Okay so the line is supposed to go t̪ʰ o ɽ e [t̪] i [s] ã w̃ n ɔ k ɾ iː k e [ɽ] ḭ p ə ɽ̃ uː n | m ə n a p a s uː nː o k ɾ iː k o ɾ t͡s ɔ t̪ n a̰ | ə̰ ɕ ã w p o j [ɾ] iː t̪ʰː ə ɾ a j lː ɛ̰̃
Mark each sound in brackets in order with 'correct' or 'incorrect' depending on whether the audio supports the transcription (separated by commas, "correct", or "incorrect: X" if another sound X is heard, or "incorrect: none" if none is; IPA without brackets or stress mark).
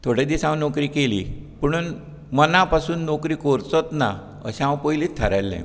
incorrect: d̪, correct, incorrect: l, incorrect: l